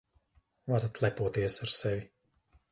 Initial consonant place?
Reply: labial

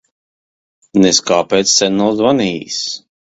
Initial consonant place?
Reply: alveolar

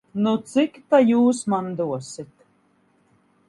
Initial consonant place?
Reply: alveolar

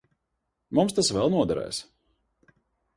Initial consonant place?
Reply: labial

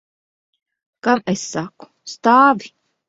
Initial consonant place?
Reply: velar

